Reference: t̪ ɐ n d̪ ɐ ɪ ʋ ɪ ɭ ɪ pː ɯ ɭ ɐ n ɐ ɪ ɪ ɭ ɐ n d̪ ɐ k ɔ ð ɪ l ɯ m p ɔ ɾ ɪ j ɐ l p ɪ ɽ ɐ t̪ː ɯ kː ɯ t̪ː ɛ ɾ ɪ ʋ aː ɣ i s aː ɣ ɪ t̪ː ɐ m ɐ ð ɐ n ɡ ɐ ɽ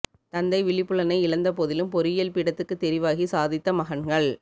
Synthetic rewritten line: t̪ ɐ n d̪ ɐ ɪ ʋ ɪ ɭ ɪ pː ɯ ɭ ɐ n ɐ ɪ ɪ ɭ ɐ n d̪ ɐ p ɔ ð ɪ l ɯ m p ɔ ɾ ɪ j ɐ l p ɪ ɽ ɐ t̪ː ɯ kː ɯ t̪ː ɛ ɾ ɪ ʋ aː ɣ i s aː ð ɪ t̪ː ɐ m ɐ ɣ ɐ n ɡ ɐ ɭ